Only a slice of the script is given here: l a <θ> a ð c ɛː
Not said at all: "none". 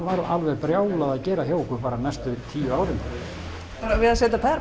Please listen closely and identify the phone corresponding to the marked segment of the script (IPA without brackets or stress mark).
ð